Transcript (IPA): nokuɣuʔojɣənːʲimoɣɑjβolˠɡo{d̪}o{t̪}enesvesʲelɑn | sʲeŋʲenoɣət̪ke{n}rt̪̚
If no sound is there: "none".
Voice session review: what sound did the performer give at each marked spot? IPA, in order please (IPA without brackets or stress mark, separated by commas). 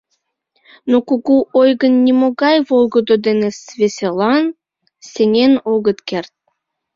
d̪, d̪, none